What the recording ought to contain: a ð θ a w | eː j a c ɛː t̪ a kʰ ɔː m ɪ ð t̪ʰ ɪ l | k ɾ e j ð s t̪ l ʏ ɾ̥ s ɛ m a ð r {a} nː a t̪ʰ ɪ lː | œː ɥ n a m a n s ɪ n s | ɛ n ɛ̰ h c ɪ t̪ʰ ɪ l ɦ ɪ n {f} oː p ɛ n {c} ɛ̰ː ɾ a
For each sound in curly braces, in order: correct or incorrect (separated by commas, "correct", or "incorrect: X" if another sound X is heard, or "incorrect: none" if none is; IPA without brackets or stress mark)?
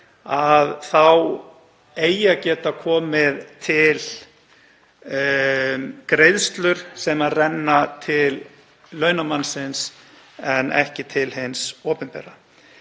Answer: incorrect: ɛ, incorrect: s, incorrect: p